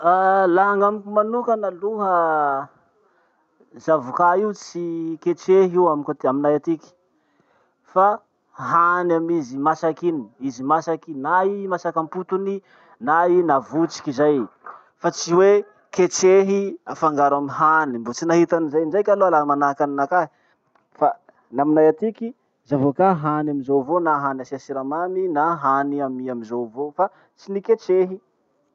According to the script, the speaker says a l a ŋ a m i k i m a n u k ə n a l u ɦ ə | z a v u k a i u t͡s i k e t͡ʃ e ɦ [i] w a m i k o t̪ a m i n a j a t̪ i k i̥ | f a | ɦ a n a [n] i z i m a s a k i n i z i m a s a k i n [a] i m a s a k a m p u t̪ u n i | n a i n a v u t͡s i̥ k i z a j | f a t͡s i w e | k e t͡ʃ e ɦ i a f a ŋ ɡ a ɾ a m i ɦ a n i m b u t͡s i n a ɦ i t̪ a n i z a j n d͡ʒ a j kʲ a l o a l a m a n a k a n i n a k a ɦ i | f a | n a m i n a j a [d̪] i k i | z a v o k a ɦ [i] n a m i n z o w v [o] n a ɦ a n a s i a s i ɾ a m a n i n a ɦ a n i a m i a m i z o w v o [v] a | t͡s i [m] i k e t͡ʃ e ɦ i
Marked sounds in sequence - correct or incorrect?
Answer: correct, incorrect: m, correct, incorrect: t̪, incorrect: a, correct, incorrect: f, incorrect: n

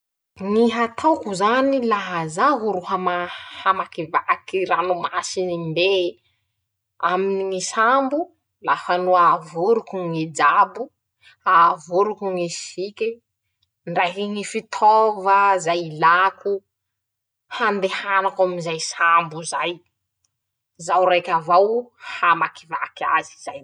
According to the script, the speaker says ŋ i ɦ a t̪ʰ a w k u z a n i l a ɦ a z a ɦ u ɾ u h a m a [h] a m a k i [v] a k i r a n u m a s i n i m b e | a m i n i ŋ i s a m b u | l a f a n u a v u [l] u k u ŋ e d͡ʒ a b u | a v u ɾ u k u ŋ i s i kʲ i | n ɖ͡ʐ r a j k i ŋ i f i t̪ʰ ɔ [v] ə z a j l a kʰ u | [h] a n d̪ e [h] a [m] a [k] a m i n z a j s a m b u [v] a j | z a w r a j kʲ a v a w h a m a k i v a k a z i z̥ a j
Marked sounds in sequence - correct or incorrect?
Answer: correct, correct, incorrect: ɾ, correct, correct, correct, incorrect: n, correct, incorrect: z

